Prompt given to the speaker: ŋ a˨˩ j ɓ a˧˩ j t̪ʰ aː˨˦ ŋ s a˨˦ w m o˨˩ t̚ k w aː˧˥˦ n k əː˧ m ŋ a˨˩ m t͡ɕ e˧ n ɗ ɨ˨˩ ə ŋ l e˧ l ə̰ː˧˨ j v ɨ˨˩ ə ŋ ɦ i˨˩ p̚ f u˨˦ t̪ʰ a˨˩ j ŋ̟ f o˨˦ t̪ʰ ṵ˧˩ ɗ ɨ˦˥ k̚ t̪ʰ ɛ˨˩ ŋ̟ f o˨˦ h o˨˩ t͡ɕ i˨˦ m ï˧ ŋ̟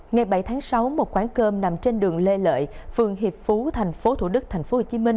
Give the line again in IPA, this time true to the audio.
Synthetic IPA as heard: ŋ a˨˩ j ɓ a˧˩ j t̪ʰ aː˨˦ ŋ s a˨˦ w m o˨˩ t̚ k w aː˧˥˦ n k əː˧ m n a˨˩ m t͡ɕ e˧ n ɗ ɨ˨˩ ə ŋ l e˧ l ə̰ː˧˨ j f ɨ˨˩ ə ŋ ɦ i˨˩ p̚ f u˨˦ t̪ʰ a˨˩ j ŋ̟ f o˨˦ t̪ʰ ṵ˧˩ ɗ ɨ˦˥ k̚ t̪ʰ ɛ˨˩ ŋ̟ f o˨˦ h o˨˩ t͡ɕ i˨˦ m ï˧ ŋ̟

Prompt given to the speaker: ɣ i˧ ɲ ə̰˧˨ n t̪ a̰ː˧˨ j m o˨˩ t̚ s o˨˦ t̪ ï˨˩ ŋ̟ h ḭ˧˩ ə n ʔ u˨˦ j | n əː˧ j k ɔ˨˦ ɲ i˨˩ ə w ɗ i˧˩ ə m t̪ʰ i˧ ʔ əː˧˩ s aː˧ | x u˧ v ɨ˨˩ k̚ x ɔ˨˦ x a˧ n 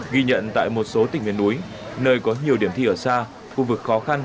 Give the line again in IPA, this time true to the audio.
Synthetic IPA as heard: ɣ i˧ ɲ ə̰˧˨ n t̪ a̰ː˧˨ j m o˨˩ t̚ s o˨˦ t̪ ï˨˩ ŋ̟ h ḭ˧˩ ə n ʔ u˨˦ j | n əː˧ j k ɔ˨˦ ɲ i˨˩ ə w ɗ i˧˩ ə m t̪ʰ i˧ ʔ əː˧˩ s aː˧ | x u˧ v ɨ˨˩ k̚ x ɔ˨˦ x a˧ n

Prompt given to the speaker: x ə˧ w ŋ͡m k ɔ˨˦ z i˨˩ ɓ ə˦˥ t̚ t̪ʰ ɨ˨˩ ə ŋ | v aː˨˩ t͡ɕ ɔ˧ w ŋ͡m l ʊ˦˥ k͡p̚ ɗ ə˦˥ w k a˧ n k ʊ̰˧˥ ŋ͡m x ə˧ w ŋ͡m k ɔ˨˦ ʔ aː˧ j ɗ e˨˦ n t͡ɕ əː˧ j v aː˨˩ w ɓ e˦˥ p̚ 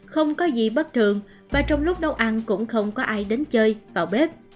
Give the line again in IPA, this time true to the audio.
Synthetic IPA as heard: x ə˧ w ŋ͡m k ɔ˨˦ z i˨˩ ɓ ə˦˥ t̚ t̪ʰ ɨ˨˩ ə ŋ | v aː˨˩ t͡ɕ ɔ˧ w ŋ͡m l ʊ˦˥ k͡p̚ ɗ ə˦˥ w ʔ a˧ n k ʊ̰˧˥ ŋ͡m x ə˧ w ŋ͡m k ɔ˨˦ ʔ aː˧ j ɗ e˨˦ n t͡ɕ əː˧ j v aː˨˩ w ɓ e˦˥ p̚

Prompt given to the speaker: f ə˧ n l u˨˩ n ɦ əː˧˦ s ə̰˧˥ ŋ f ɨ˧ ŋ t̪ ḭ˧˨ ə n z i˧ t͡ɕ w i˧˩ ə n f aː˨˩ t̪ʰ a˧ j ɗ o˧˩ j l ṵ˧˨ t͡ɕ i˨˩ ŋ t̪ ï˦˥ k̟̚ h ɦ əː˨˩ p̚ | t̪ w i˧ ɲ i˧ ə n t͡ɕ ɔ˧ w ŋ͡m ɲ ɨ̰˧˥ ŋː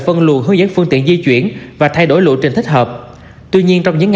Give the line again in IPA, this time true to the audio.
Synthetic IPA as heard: f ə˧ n l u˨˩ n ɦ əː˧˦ z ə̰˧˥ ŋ f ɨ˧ ŋ t̪ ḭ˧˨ ə n z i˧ t͡ɕ w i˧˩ ə n v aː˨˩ t̪ʰ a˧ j ɗ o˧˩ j l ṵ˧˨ t͡ɕ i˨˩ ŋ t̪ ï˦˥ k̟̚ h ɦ əː˨˩ p̚ | t̪ w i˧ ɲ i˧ ə n t͡ɕ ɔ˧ w ŋ͡m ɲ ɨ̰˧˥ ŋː

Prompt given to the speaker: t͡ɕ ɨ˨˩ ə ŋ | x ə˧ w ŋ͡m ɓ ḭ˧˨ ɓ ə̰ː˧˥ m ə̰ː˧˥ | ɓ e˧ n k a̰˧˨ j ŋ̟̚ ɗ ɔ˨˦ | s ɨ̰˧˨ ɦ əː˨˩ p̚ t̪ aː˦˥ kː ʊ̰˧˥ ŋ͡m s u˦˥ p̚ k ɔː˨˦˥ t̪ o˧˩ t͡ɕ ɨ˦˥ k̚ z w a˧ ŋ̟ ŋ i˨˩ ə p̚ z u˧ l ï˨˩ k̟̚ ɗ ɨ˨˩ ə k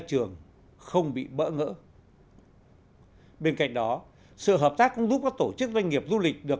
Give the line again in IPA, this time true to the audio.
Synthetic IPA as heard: t͡ɕ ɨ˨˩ ə ŋ | x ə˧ w ŋ͡m ɓ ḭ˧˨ ɓ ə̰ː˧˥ ŋ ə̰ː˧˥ | ɓ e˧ n k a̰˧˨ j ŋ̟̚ ɗ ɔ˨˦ | s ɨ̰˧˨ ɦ əː˨˩ p̚ t̪ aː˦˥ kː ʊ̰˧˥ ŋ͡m z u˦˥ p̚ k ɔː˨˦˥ t̪ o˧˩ t͡ɕ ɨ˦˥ k̚ z w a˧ ŋ̟ ŋ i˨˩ ə p̚ z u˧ l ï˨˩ k̟̚ ɗ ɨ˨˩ ə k

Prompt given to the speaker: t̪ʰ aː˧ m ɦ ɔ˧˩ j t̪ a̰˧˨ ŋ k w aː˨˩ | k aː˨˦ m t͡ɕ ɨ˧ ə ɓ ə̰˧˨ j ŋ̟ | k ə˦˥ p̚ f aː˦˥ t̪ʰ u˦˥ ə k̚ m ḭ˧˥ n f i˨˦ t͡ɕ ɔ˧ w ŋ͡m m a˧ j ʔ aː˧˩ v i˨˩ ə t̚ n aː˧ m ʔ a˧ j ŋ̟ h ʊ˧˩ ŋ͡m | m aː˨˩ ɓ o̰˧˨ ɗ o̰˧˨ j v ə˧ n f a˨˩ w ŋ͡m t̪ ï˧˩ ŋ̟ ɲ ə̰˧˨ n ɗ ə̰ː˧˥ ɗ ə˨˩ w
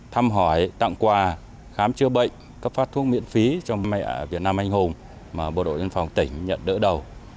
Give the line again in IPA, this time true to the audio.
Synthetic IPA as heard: t̪ʰ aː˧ m ɦ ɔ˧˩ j t̪ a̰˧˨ ŋ k w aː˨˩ | x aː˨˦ m t͡ɕ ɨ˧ ə ɓ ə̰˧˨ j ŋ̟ | k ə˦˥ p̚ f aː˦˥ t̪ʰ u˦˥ ə k̚ m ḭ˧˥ n f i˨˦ t͡ɕ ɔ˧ w ŋ͡m m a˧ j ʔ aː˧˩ v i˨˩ ə t̚ n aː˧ m ʔ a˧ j ŋ̟ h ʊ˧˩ ŋ͡m | m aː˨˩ ɓ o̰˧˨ ɗ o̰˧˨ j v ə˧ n f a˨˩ w ŋ͡m t̪ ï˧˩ ŋ̟ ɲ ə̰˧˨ n ɗ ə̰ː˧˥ ɗ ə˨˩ w

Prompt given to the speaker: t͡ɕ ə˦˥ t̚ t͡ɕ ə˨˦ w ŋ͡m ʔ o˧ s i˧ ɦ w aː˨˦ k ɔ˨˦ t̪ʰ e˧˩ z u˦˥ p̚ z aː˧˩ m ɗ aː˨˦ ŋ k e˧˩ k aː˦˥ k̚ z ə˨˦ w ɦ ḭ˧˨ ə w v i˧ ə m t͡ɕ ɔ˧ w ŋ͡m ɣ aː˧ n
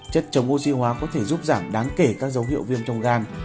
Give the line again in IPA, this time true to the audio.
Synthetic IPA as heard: t͡ɕ ə˦˥ t̚ t͡ɕ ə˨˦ w ŋ͡m ʔ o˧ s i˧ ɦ w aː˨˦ k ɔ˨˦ t̪ʰ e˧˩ z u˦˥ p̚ z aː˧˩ m ɗ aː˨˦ ŋ k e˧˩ k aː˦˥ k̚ z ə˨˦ w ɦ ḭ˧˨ ə w v i˧ ə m t͡ɕ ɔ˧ w ŋ͡m ɣ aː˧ n

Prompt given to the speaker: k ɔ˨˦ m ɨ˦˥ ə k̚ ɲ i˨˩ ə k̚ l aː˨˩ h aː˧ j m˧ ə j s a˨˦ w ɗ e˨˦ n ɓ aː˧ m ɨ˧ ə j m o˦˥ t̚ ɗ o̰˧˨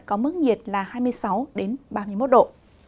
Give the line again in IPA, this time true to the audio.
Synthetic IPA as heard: k ɔ˨˦ m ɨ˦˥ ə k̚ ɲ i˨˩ ə t̚ l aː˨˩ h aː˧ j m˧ ə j s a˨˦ w ɗ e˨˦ n ɓ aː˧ m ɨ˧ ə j m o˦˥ t̚ ɗ o̰˧˨

